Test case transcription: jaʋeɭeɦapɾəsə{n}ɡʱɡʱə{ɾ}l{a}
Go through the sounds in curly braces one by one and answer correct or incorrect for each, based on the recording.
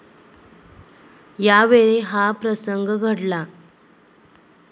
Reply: incorrect, incorrect, correct

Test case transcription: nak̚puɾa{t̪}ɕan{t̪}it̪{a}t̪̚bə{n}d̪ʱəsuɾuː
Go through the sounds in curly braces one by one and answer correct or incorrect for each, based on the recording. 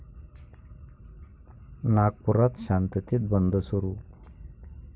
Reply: correct, correct, incorrect, correct

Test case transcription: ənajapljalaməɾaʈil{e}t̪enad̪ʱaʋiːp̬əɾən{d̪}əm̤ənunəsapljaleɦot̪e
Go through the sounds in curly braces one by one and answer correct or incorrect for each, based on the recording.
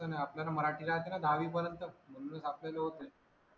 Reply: incorrect, incorrect

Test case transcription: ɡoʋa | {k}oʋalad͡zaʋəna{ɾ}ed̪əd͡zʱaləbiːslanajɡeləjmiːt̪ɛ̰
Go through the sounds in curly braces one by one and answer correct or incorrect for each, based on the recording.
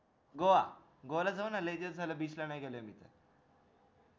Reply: incorrect, incorrect

